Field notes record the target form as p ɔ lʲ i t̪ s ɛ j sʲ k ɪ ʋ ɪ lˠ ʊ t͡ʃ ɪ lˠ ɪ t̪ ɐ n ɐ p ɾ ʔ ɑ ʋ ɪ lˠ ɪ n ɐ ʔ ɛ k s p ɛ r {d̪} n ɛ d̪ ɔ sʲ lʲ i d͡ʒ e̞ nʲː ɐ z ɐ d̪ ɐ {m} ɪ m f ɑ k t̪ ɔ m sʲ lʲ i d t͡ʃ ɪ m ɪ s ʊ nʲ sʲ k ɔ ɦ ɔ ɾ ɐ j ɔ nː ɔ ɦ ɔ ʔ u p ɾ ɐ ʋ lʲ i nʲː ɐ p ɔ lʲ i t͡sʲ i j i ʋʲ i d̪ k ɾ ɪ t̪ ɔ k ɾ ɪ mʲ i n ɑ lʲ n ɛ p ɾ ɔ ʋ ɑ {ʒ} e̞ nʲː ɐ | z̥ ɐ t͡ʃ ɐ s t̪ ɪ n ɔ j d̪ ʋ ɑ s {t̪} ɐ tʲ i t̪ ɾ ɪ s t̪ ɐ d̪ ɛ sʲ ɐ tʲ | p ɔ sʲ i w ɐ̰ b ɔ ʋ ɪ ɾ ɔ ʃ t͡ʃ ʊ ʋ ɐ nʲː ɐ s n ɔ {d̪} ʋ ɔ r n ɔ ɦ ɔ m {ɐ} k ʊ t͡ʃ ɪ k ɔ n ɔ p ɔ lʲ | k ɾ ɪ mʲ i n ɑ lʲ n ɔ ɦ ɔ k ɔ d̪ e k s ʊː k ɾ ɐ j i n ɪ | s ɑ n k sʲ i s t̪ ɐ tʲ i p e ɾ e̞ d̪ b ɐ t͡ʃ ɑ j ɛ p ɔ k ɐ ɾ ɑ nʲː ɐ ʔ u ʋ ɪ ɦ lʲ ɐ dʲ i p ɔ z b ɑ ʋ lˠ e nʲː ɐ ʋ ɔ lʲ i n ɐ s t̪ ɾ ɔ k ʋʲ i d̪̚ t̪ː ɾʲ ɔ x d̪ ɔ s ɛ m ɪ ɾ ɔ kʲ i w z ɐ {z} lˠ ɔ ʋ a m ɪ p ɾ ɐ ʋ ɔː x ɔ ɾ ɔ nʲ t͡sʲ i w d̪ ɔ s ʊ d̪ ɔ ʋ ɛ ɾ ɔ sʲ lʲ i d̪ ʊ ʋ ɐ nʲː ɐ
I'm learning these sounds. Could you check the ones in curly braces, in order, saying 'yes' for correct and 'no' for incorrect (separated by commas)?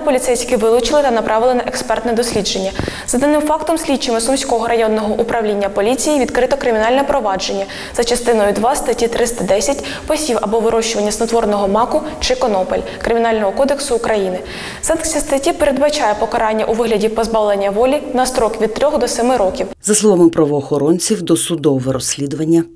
no, no, no, yes, no, no, no